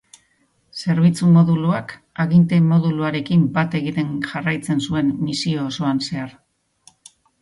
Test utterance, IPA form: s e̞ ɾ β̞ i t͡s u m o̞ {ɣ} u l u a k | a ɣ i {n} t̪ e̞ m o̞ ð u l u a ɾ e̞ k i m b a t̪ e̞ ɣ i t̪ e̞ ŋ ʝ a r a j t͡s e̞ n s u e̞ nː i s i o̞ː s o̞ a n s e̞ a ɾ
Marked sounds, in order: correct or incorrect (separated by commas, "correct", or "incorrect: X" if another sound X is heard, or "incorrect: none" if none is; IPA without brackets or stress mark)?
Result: incorrect: ð, correct